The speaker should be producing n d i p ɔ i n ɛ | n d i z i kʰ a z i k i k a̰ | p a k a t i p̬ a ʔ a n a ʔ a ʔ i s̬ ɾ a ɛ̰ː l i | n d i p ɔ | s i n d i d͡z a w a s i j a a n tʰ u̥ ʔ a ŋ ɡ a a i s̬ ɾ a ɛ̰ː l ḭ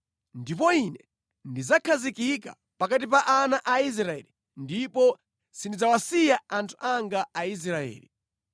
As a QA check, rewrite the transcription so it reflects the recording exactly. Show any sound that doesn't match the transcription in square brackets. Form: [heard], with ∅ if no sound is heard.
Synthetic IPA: n d i p ɔ i n ɛ | n d i z [a] kʰ a z i k i k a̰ | p a k a t i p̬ a ʔ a n a ʔ a [∅] i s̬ ɾ a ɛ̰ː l i | n d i p ɔ | s i n d i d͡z a w a s i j a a n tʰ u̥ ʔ a ŋ ɡ a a i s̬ ɾ a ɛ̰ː l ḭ